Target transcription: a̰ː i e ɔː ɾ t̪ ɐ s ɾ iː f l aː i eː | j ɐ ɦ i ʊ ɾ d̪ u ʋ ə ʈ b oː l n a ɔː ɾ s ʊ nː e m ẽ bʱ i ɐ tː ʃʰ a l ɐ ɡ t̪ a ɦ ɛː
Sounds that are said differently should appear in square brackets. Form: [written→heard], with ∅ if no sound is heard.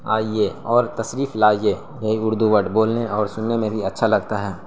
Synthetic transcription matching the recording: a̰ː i e ɔː ɾ t̪ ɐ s ɾ iː f l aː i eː | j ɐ ɦ i ʊ ɾ d̪ u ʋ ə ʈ b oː l n [a→e] ɔː ɾ s ʊ nː e m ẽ bʱ i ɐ tː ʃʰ a l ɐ ɡ t̪ a ɦ ɛː